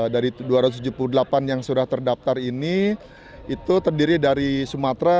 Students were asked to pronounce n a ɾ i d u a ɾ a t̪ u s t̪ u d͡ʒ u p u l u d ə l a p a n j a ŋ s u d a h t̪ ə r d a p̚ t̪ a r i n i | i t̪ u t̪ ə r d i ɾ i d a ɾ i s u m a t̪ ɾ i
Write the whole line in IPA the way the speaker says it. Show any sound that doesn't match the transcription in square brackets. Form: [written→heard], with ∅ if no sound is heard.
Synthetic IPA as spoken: [n→d] a ɾ i d u a ɾ a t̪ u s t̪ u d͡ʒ u p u l u d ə l a p a n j a ŋ s u d a h t̪ ə r d a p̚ t̪ a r i n i | i t̪ u t̪ ə r d i ɾ i d a ɾ i s u m a t̪ ɾ [i→a]

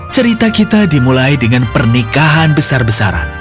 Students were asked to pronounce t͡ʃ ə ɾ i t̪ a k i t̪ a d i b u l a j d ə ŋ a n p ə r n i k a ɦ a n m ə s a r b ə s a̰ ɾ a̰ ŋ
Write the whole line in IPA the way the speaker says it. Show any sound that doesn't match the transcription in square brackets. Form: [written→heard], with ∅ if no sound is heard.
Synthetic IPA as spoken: t͡ʃ ə ɾ i t̪ a k i t̪ a d i [b→m] u l a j d ə ŋ a n p ə r n i k a ɦ a n [m→b] ə s a r b ə s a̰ ɾ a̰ [ŋ→n]

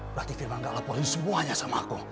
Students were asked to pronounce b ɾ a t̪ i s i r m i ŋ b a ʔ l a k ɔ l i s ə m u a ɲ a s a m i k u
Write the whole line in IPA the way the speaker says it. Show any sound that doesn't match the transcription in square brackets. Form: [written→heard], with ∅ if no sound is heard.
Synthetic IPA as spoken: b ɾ a t̪ i [s→f] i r m [i→a] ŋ [b→ɡ] a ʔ l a [k→p] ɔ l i s ə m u a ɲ a s a m [i→a] k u

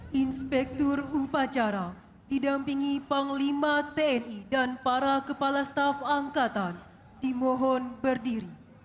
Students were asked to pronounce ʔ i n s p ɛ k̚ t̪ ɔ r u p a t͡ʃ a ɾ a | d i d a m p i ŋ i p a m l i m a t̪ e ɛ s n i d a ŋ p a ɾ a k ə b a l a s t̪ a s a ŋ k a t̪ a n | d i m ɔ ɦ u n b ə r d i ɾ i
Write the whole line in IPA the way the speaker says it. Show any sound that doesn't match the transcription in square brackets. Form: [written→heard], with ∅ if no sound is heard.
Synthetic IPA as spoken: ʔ i n s p ɛ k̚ t̪ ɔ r u p a t͡ʃ a ɾ a | d i d a m p i ŋ i p a [m→ŋ] l i m a t̪ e ɛ [s→∅] n i d a [ŋ→n] p a ɾ a k ə [b→p] a l a s t̪ a [s→f] a ŋ k a t̪ a n | d i m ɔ ɦ [u→ɔ] n b ə r d i ɾ i

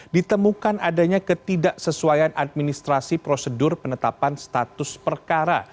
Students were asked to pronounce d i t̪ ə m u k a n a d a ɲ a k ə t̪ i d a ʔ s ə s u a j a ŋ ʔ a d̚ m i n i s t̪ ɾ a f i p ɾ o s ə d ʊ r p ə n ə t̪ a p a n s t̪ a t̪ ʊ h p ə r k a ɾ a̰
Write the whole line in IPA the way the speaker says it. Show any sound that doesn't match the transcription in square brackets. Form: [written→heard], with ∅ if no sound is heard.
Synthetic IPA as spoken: d i t̪ ə m u k a n a d a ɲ a k ə t̪ i d a ʔ s ə s u a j a [ŋ→n] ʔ a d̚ m i n i s t̪ ɾ a [f→s] i p ɾ o s ə d ʊ r p ə n ə t̪ a p a n s t̪ a t̪ ʊ [h→s] p ə r k a ɾ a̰

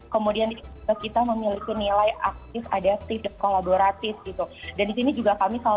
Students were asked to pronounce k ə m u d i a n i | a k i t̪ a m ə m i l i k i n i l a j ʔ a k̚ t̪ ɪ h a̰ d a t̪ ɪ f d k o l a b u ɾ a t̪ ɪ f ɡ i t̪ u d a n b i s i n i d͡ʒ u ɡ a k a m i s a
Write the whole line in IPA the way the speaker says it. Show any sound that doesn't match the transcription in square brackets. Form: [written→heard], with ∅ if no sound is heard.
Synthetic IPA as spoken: k ə m u d i a n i | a k i t̪ a m ə m i l i k i n i l a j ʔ a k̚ t̪ ɪ [h→f] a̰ d a t̪ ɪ f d k o l a b [u→o] ɾ a t̪ ɪ f ɡ i t̪ u d a n [b→d] i s i n i d͡ʒ u ɡ a k a m i s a

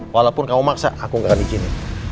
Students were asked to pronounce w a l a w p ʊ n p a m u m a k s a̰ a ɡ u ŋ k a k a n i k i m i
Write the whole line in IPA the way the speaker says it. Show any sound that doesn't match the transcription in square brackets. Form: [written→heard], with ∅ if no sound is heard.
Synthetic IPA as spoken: w a l a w p ʊ n [p→k] a m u m a k s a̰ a [ɡ→k] u ŋ [k→ɡ] a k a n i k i [m→n] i

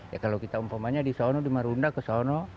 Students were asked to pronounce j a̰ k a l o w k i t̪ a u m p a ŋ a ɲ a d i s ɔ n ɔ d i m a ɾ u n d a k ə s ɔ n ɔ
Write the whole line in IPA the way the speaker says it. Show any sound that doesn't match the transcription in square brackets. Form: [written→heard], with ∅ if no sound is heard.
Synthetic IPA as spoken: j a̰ k a l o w k i t̪ a u m p a [ŋ→m] a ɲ a d i s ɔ n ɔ d i m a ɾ u n d a k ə s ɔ n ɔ

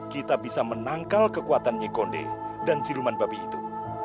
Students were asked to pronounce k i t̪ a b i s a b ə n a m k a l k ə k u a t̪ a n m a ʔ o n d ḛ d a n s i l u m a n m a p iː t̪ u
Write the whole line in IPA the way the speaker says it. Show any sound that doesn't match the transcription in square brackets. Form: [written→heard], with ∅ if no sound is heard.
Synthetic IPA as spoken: k i t̪ a b i s a [b→m] ə n a [m→ŋ] k a l k ə k u a t̪ a n [m→ɲ] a [ʔ→k] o n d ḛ d a n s i l u m a n [m→b] a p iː t̪ u

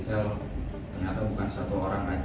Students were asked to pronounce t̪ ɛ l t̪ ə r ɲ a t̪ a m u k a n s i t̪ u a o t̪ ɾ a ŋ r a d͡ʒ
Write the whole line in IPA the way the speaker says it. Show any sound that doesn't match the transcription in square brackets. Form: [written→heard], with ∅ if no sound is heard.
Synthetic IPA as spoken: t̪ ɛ l t̪ ə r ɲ a t̪ a [m→b] u k a n s [i→a] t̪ u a o [t̪→∅] ɾ a ŋ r a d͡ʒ

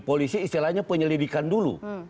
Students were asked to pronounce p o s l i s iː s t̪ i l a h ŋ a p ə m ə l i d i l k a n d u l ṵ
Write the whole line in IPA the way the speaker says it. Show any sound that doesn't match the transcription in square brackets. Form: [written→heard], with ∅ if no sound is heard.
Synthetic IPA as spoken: p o [s→∅] l i s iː s t̪ i l a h [ŋ→ɲ] a p ə [m→ɲ] ə l i d i [l→∅] k a n d u l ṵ

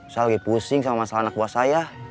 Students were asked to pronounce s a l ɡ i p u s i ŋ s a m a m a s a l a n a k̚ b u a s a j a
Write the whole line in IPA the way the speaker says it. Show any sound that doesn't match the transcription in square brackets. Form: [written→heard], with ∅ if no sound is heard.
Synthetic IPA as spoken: s a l ɡ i p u s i ŋ s a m a m a s a l a n a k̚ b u a s a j a

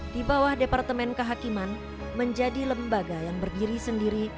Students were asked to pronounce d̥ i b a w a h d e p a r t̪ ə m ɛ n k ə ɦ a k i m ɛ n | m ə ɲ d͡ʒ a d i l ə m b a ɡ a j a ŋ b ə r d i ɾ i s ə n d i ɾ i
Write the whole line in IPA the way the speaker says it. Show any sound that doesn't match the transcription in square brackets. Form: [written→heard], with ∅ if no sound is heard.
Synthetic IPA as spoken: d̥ i b a w a h d e p a r t̪ ə m ɛ n k ə ɦ a k i m [ɛ→a] n | m ə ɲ d͡ʒ a d i l ə m b a ɡ a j a ŋ b ə r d i ɾ i s ə n d i ɾ i

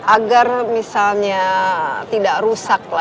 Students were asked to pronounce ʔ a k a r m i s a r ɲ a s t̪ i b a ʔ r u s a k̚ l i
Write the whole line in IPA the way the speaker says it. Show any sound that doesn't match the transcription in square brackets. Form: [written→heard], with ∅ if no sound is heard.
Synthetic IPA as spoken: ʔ a [k→ɡ] a r m i s a [r→l] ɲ a [s→∅] t̪ i [b→d] a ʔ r u s a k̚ l [i→a]

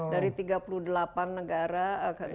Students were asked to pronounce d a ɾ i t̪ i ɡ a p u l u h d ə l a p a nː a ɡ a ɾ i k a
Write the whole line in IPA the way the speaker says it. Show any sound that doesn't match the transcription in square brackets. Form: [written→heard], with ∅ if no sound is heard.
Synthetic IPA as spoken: d a ɾ i t̪ i ɡ a p u l u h d ə l a p a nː [a→ə] ɡ a ɾ [i→a] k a

